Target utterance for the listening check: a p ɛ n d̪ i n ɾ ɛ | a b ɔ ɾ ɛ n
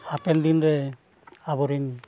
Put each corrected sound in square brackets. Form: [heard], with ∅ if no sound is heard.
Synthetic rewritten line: a p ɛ n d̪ i n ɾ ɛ | a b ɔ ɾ [i] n